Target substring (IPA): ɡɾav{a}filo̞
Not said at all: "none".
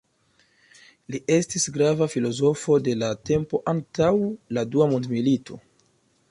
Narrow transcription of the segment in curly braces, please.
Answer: a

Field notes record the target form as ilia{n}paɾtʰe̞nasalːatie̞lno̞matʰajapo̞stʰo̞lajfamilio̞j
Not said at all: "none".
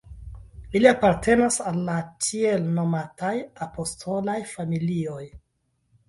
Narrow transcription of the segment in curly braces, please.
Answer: none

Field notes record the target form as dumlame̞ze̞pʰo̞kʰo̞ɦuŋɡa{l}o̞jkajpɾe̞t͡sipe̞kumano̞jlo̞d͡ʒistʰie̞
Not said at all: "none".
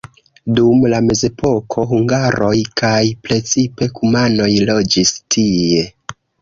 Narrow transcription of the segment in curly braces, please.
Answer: ɾ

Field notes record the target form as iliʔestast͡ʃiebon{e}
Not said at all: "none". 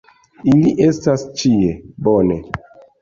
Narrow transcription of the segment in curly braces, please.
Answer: e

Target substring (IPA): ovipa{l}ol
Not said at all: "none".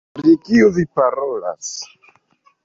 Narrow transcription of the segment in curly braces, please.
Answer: ɾ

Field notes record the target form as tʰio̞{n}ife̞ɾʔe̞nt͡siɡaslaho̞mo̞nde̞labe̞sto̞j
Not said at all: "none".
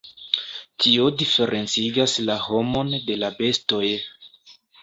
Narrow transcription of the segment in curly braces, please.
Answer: d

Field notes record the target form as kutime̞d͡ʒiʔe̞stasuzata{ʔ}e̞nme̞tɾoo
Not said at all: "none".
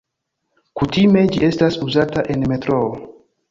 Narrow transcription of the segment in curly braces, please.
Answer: ʔ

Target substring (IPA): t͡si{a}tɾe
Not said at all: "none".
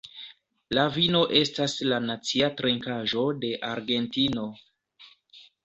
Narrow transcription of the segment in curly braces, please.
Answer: a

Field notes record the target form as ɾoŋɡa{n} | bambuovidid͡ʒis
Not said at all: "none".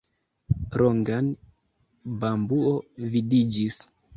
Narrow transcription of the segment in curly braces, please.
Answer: n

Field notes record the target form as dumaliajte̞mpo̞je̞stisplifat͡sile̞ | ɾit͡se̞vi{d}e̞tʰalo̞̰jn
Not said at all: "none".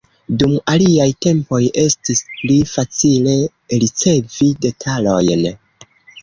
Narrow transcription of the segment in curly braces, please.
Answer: d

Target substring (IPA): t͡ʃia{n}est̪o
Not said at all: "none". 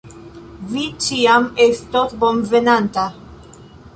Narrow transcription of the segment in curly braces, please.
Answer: m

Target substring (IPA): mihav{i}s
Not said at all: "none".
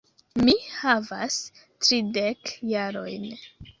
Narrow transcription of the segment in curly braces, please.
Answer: a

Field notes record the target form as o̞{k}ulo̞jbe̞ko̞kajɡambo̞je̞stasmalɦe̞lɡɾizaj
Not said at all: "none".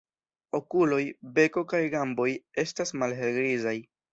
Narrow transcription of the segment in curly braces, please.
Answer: k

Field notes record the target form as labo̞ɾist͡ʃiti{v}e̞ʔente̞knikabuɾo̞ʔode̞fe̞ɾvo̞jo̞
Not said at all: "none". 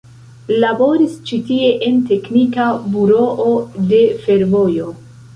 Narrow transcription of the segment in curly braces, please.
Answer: none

